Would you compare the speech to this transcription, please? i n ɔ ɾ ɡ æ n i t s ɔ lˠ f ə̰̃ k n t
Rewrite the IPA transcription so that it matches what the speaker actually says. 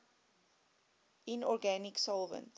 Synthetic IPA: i n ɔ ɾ ɡ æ n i k s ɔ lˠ v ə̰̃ n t